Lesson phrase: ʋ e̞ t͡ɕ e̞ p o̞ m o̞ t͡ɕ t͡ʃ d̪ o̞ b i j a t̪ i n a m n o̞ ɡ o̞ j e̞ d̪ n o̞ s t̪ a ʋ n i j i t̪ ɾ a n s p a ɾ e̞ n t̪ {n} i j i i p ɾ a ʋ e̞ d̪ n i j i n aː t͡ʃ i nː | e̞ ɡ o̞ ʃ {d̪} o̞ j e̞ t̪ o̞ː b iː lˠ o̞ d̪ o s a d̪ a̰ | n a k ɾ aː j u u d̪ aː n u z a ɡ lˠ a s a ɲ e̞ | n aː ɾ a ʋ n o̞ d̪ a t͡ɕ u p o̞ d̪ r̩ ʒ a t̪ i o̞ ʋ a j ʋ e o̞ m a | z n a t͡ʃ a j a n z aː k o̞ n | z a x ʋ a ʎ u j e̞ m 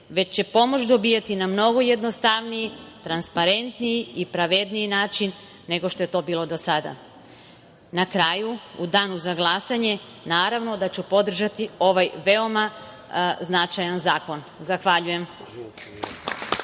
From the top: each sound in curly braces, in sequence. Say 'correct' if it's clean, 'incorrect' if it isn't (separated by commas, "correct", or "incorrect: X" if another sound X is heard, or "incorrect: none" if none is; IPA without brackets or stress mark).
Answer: correct, incorrect: t̪